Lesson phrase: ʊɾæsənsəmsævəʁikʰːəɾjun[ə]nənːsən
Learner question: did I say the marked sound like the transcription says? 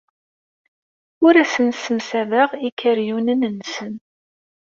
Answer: yes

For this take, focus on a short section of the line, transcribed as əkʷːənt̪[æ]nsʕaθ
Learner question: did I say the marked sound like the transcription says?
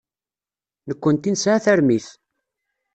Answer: no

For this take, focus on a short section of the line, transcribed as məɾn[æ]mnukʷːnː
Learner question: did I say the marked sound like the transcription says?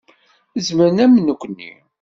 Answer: yes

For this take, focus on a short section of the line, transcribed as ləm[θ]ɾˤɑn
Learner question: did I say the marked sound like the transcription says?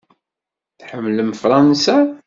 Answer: no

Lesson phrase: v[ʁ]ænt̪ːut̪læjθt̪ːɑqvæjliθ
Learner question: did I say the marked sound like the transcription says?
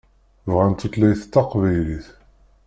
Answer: yes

